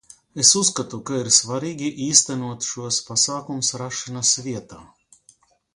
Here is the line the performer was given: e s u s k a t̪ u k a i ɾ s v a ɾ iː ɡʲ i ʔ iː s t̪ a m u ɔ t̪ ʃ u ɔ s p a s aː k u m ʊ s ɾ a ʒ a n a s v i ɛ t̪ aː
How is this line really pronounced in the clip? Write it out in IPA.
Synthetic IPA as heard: e s u s k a t̪ u k a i ɾ s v a ɾ iː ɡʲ i ʔ iː s t̪ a n u ɔ t̪ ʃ u ɔ s p a s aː k u m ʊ s ɾ a ʃ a n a s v i ɛ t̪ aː